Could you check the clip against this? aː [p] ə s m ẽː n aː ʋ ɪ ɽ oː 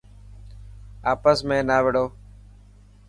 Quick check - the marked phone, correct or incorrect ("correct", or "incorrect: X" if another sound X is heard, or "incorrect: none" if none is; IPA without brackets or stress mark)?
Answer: correct